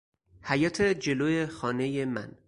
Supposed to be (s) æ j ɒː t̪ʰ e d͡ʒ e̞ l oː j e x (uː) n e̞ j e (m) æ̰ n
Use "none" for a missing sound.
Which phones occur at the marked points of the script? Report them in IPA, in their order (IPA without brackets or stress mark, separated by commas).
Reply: h, ɒː, m